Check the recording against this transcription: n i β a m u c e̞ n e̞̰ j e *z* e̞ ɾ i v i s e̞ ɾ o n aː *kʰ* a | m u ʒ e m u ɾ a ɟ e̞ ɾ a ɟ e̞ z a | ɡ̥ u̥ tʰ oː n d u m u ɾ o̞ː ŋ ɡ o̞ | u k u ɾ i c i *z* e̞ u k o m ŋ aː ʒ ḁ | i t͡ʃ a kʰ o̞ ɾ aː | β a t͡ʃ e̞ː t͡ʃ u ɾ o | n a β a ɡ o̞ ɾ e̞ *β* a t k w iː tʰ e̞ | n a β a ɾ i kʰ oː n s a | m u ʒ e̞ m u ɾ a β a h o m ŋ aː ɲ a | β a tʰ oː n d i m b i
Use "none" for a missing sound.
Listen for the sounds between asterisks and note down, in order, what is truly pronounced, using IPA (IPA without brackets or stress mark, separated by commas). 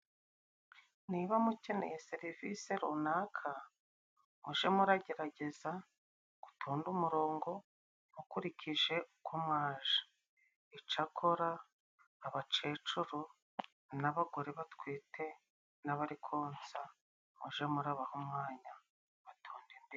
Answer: s, kʰ, ʒ, β